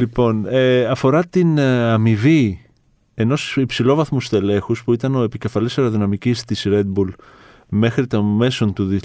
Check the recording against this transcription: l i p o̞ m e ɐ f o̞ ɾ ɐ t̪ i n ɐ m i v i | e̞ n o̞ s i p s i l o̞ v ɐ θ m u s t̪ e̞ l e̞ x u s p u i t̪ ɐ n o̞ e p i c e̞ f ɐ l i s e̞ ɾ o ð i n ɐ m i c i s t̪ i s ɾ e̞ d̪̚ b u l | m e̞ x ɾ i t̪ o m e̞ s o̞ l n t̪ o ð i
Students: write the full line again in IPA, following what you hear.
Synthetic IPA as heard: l i p o̞ n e ɐ f o̞ ɾ ɐ t̪ i n ɐ m i v i | e̞ n o̞ s i p s i l o̞ v ɐ θ m u s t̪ e̞ l e̞ x u s p u i t̪ ɐ n o̞ e p i c e̞ f ɐ l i s e̞ ɾ o ð i n ɐ m i c i s t̪ i s ɾ e̞ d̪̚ b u l | m e̞ x ɾ i t̪ o m e̞ s o̞ n t̪ u ð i